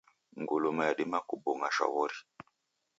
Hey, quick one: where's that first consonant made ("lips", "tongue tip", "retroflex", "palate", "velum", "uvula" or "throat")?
velum